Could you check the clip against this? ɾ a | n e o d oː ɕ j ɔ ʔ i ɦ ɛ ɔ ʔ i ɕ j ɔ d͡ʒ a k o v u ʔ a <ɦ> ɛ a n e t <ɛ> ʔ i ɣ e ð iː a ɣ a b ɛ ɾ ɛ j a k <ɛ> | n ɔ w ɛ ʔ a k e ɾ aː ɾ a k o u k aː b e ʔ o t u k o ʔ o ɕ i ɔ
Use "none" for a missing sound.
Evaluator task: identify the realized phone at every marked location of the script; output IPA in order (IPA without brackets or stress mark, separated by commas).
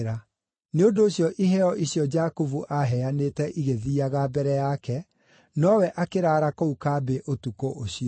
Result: ɦ, ɛ, ɛ